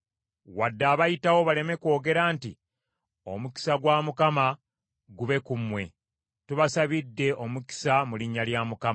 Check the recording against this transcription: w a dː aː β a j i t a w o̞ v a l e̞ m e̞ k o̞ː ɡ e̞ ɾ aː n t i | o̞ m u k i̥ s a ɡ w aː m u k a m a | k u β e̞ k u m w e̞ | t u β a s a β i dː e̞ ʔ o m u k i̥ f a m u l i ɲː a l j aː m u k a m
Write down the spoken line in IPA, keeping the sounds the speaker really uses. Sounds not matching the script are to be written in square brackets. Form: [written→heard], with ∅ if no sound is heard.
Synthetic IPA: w a dː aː β a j i t a w o̞ [v→β] a l e̞ m e̞ k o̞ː ɡ e̞ ɾ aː n t i | o̞ m u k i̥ s a ɡ w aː m u k a m a | [k→ɡ] u β e̞ k u m w e̞ | t u β a s a β i dː e̞ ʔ o m u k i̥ [f→s] a m u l i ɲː a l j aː m u k a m